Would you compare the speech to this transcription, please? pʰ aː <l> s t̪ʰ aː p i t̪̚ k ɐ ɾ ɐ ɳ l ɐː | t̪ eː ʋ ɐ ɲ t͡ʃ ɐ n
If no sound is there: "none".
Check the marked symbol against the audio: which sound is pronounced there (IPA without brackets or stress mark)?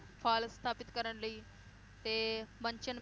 l